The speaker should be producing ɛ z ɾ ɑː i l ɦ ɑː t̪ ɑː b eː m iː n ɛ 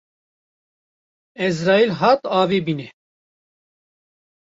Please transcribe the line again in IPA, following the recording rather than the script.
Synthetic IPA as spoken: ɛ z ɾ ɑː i l ɦ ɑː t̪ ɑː v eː b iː n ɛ